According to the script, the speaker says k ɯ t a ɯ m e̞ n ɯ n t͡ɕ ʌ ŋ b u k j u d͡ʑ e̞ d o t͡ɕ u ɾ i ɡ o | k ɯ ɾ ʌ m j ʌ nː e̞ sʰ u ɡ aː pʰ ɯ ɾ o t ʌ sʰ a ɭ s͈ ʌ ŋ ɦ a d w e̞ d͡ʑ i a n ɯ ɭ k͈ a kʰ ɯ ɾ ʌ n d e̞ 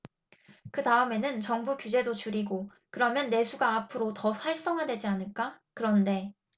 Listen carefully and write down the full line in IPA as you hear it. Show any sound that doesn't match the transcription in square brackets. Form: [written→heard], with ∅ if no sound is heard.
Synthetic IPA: k ɯ t a ɯ m e̞ n ɯ n t͡ɕ ʌ ŋ b u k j u d͡ʑ e̞ d o t͡ɕ u ɾ i ɡ o | k ɯ ɾ ʌ m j ʌ nː e̞ sʰ u ɡ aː pʰ ɯ ɾ o t ʌ sʰ a ɭ s͈ ʌ ŋ ɦ a d w e̞ d͡ʑ i a n ɯ ɭ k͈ a [kʰ→k] ɯ ɾ ʌ n d e̞